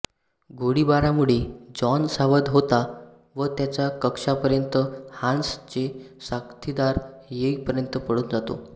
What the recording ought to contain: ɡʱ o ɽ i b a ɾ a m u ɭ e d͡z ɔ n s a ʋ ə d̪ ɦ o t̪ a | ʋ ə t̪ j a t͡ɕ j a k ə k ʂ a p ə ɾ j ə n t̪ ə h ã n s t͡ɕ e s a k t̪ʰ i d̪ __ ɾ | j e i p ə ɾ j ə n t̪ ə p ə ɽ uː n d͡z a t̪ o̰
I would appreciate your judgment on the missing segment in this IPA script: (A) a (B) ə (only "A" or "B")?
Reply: A